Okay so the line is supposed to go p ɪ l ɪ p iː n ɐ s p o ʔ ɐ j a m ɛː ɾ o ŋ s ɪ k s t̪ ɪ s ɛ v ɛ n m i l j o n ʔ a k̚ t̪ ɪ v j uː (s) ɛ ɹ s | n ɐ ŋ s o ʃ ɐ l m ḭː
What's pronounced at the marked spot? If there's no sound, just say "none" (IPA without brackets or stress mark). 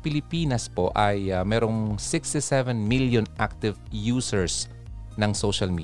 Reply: s